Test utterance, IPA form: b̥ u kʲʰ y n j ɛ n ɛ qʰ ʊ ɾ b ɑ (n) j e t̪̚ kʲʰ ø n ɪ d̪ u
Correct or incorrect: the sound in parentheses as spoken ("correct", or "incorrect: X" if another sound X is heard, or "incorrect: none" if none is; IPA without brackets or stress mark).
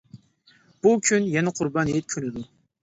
correct